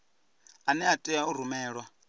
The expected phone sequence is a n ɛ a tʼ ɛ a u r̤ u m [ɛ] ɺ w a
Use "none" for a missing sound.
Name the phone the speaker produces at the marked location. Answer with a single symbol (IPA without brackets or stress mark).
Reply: ɛː